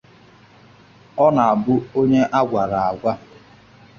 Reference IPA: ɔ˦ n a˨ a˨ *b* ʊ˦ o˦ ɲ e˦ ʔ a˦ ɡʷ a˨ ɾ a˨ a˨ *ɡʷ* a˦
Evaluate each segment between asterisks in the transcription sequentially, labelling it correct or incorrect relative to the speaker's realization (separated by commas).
correct, correct